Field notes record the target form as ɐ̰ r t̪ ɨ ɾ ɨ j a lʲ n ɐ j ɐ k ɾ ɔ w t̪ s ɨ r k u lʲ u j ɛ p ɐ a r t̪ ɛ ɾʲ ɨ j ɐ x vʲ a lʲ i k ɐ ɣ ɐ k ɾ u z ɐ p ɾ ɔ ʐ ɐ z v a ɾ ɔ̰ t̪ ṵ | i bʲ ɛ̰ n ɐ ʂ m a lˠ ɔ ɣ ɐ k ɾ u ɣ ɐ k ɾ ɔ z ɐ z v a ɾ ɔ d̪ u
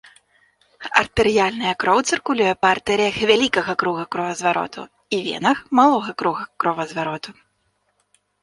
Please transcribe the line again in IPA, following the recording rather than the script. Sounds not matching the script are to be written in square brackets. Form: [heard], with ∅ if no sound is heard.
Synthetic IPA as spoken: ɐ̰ r t̪ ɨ ɾ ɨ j a lʲ n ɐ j ɐ k ɾ ɔ w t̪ s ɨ r k u lʲ u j ɛ p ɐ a r t̪ ɛ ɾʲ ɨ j ɐ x vʲ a lʲ i k ɐ ɣ ɐ k ɾ u [ɣ] ɐ [k] ɾ ɔ [v] ɐ z v a ɾ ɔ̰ t̪ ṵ | i [vʲ] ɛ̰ n ɐ [x] m a lˠ ɔ ɣ ɐ k ɾ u ɣ ɐ k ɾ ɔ [v] ɐ z v a ɾ ɔ [t̪] u